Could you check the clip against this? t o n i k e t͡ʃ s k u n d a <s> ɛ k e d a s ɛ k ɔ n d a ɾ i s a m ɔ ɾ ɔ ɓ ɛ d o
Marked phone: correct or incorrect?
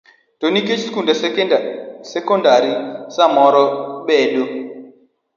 correct